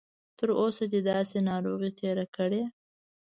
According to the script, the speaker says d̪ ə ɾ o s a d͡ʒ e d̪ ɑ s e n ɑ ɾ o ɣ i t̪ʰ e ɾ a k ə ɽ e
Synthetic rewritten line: t̪ ə ɾ o s a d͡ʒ e d̪ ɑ s e n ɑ ɾ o ɣ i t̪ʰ e ɾ a k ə ɽ e